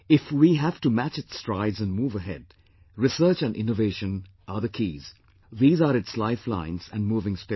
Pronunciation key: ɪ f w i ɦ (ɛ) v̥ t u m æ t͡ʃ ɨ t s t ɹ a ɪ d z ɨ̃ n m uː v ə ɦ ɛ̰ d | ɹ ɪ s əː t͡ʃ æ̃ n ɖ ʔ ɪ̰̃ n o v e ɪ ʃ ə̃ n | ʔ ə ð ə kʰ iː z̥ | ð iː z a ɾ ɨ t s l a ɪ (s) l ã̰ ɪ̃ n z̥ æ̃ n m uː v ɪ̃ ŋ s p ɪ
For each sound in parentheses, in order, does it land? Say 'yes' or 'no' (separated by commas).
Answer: no, no